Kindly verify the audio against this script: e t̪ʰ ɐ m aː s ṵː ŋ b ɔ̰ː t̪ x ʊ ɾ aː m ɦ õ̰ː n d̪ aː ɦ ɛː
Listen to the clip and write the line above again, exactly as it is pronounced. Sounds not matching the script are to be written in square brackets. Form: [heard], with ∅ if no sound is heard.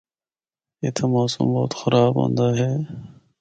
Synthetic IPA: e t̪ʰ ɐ m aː s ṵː [m] b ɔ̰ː t̪ x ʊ ɾ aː [b] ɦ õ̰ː n d̪ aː ɦ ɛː